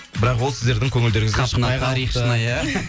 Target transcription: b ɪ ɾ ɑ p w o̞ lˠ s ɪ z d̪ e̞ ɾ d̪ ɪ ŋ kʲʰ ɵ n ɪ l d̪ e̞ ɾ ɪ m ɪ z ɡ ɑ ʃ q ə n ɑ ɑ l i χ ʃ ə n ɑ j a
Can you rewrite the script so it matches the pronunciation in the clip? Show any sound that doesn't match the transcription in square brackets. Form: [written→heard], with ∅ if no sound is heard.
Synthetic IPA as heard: b ɪ ɾ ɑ [p→q] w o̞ lˠ s ɪ z d̪ e̞ ɾ d̪ ɪ ŋ kʲʰ ɵ [n→ŋ] ɪ l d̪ e̞ ɾ ɪ [m→ŋ] ɪ z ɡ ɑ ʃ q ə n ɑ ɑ [l→ɾ] i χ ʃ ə n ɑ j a